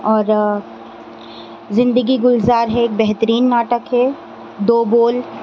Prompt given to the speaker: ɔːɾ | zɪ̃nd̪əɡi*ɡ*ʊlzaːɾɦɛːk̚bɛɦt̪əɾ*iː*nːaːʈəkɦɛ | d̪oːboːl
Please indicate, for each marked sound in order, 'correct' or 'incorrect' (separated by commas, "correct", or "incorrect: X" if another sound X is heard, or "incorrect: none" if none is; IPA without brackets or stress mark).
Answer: correct, correct